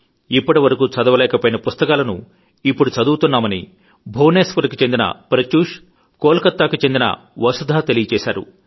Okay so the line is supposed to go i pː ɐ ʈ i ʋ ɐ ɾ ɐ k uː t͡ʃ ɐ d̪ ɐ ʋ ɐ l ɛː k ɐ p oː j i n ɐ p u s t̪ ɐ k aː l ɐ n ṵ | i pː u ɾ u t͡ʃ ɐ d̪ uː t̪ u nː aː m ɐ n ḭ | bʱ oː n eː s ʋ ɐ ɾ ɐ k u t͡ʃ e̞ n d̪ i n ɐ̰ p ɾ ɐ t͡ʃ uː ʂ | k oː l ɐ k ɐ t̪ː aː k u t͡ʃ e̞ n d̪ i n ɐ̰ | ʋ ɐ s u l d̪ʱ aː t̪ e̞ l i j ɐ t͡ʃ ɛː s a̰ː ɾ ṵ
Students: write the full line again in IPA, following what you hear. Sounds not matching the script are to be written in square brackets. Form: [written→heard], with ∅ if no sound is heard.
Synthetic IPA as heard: i pː ɐ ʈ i ʋ ɐ ɾ ɐ k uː t͡ʃ ɐ d̪ ɐ ʋ ɐ l ɛː k ɐ p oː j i n ɐ p u s t̪ ɐ k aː l ɐ n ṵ | i pː u [ɾ→ɽ] u t͡ʃ ɐ d̪ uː t̪ u nː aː m ɐ n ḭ | bʱ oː n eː s ʋ ɐ ɾ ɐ k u t͡ʃ e̞ n d̪ i n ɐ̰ p ɾ ɐ t͡ʃ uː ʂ | k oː l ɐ k ɐ t̪ː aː k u t͡ʃ e̞ n d̪ i n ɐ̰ | ʋ ɐ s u [l→∅] d̪ʱ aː t̪ e̞ l i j ɐ t͡ʃ ɛː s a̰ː ɾ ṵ